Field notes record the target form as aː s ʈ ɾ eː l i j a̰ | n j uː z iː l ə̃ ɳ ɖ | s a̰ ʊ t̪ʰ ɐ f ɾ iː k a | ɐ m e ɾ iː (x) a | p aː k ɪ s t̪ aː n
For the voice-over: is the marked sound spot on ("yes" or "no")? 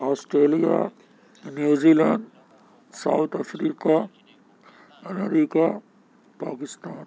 no